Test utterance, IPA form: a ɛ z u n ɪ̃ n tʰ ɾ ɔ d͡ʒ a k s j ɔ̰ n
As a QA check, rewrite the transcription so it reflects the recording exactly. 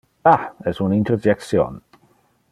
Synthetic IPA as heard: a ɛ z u n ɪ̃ n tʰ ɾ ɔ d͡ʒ ɛ k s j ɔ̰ n